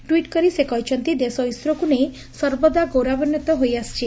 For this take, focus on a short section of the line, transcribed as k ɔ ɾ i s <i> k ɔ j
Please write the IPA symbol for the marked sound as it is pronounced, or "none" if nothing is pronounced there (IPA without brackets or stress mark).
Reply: e